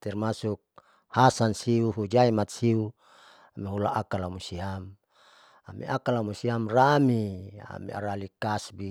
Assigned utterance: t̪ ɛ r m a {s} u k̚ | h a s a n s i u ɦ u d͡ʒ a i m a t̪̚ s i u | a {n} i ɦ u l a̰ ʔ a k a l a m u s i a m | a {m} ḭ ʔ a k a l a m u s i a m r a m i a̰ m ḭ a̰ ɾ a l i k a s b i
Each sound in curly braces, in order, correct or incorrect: correct, incorrect: m, correct

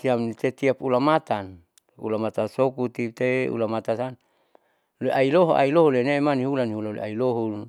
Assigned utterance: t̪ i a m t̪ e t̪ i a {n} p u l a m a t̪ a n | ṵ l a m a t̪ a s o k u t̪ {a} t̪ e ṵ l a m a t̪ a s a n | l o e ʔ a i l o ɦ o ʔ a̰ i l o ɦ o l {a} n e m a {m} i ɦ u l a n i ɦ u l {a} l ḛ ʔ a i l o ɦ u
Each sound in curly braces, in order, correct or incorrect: incorrect: none, incorrect: i, incorrect: e, incorrect: n, correct

